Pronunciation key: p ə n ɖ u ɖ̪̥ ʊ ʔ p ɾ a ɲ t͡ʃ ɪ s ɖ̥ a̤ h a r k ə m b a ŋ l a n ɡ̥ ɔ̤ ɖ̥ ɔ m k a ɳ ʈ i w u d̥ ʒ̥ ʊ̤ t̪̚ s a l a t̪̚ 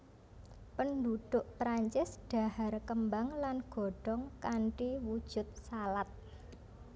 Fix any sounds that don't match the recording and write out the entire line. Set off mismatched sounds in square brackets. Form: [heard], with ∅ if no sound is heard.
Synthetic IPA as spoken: p ə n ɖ u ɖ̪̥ ʊ ʔ p ɾ a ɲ t͡ʃ ɪ s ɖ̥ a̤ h a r k ə m b a ŋ l a n ɡ̥ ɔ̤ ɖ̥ ɔ [ŋ] k a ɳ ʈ i w u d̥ ʒ̥ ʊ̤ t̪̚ s a l a t̪̚